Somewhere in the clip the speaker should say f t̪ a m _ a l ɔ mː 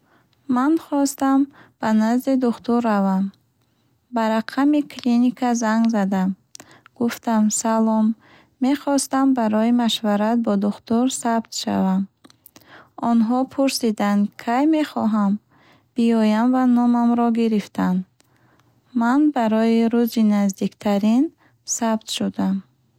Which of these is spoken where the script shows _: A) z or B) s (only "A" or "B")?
B